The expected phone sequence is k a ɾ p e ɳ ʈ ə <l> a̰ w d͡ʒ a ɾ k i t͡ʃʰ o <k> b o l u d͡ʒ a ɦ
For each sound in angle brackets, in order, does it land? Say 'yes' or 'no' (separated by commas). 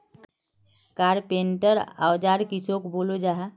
no, yes